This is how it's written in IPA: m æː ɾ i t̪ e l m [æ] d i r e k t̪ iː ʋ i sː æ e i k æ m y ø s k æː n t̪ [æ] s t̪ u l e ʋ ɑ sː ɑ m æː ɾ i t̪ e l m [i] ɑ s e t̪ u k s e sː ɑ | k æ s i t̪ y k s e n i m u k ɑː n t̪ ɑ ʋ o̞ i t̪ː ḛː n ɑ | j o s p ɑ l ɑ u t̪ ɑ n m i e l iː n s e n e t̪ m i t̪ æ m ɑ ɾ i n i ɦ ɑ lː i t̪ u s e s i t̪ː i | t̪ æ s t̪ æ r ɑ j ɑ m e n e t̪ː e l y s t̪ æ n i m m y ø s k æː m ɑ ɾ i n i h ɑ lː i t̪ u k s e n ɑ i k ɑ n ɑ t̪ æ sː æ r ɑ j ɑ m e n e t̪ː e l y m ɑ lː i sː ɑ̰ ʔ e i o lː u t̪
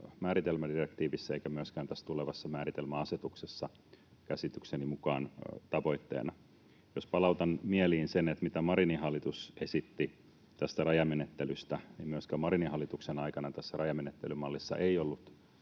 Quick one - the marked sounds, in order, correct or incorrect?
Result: correct, correct, incorrect

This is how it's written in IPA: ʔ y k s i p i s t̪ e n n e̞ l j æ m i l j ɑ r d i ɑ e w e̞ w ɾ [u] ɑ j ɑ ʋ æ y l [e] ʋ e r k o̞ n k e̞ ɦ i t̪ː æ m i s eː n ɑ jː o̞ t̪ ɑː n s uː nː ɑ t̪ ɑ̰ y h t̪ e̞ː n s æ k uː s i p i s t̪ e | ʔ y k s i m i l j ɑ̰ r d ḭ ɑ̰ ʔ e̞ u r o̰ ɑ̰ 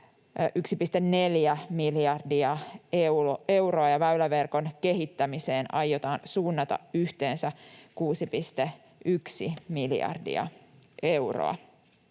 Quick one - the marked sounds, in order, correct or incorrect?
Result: incorrect, incorrect

